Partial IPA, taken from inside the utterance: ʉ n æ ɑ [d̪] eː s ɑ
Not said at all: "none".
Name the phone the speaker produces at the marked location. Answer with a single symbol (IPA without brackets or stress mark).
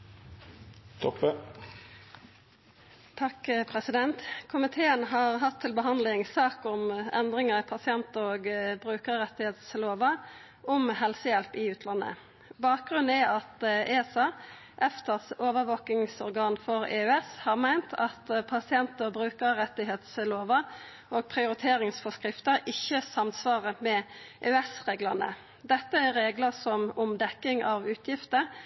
t̪